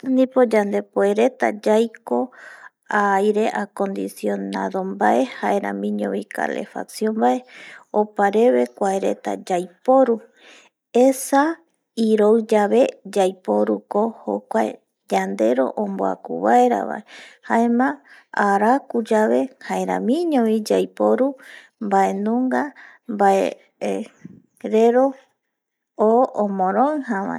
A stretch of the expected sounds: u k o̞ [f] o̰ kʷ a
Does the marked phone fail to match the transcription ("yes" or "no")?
yes